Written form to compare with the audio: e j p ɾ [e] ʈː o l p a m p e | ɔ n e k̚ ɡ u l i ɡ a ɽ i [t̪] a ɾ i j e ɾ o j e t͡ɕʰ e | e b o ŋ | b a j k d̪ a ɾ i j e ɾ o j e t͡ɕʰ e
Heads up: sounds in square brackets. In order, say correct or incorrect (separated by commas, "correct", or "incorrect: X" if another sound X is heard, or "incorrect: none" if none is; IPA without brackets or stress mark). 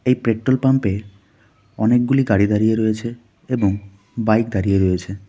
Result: correct, incorrect: d̪